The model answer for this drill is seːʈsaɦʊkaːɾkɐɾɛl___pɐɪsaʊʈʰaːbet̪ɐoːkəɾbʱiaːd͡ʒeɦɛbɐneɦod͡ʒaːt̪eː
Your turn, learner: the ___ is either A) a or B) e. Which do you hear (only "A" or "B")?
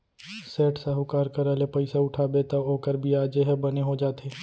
B